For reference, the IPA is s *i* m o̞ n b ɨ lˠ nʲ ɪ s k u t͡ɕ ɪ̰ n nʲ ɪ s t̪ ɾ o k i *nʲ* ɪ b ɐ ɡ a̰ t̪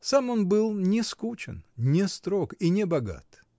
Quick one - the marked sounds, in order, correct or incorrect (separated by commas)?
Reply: incorrect, correct